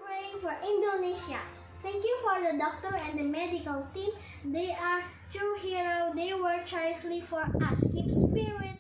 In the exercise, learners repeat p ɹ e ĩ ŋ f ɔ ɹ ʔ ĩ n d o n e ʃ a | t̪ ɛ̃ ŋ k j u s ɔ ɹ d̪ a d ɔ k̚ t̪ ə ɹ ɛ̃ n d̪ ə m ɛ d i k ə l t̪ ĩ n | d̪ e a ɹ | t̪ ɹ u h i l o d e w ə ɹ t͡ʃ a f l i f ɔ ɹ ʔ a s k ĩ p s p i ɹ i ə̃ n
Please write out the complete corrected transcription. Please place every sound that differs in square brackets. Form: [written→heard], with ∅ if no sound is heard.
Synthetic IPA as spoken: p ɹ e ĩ ŋ f ɔ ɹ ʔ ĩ n d o n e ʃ a | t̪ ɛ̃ ŋ k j u [s→f] ɔ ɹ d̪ [a→ə] d ɔ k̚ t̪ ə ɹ ɛ̃ n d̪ ə m ɛ d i k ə l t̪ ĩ [n→m] | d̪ e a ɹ | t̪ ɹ u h i [l→ɹ] o d e w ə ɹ t͡ʃ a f l i f ɔ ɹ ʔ a s k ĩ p s p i ɹ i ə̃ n